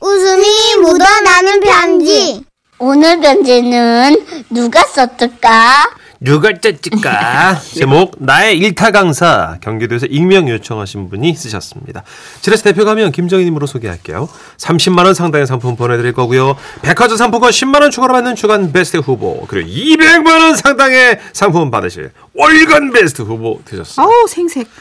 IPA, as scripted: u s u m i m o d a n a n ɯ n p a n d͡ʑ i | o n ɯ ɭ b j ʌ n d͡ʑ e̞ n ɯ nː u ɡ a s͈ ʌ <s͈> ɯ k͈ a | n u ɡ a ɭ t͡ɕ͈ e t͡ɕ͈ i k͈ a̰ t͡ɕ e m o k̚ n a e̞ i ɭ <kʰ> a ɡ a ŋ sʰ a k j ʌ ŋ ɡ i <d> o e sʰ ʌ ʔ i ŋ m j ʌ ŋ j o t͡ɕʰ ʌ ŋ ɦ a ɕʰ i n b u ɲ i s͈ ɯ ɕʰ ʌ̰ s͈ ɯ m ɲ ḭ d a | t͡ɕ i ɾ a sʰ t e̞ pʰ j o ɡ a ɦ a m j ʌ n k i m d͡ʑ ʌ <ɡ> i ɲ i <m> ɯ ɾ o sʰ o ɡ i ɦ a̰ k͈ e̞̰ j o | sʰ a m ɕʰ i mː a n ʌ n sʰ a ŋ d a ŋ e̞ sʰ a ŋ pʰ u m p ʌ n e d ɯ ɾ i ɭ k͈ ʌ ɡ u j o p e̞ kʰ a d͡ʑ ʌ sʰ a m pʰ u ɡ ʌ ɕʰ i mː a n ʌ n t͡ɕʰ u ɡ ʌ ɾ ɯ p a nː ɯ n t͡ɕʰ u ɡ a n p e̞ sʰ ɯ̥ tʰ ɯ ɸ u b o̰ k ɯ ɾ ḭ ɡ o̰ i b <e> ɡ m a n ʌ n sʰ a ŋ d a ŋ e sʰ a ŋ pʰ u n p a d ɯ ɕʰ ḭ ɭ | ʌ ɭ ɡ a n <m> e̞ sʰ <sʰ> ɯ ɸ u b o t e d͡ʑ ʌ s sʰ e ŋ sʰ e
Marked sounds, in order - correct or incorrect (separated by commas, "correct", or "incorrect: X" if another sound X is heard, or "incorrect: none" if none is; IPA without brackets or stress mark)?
incorrect: t͈, incorrect: tʰ, correct, incorrect: ŋ, correct, correct, incorrect: b, incorrect: tʰ